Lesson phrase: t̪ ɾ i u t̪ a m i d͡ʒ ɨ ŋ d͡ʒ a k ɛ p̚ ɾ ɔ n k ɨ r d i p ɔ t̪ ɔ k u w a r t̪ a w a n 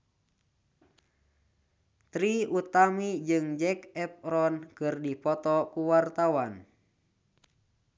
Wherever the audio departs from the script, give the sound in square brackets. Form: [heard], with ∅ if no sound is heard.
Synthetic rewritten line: t̪ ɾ i u t̪ a m i d͡ʒ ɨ ŋ d͡ʒ [ɛ] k ɛ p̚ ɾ ɔ n k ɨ r d i p ɔ t̪ ɔ k u w a r t̪ a w a n